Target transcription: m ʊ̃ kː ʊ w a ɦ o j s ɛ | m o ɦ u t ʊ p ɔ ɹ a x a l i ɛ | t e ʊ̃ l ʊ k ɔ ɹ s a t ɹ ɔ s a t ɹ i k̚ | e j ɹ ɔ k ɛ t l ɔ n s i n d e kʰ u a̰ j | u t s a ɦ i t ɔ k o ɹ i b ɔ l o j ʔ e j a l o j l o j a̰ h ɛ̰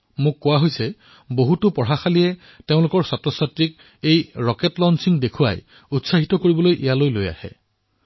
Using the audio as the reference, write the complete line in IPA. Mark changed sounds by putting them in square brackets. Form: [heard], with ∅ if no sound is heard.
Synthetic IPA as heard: m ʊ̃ kː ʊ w a ɦ o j s ɛ | [b] o ɦ u t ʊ p ɔ ɹ a x a l i ɛ | t e ʊ̃ l ʊ k ɔ ɹ s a t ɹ ɔ s a t ɹ i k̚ | e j ɹ ɔ k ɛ t l ɔ n s i [ŋ] d e kʰ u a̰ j | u t s a ɦ i t ɔ k o ɹ i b ɔ l o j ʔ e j a l o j l o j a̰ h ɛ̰